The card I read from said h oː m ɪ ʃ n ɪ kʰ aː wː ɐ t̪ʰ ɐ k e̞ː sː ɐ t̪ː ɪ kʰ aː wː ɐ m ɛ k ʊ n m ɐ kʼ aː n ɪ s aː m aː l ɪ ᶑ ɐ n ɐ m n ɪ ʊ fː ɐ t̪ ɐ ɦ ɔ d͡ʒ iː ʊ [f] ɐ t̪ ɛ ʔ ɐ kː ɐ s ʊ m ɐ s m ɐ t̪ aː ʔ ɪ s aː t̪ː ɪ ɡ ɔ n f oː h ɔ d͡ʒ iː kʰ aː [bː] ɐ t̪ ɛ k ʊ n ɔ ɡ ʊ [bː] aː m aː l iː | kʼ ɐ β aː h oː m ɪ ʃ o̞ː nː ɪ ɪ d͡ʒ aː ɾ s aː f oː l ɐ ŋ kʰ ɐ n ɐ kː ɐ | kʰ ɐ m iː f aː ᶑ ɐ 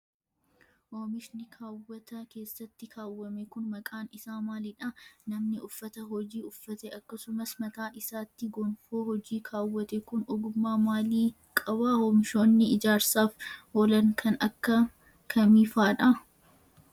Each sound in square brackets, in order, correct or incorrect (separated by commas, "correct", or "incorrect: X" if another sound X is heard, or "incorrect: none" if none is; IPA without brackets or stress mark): incorrect: fː, incorrect: wː, incorrect: mː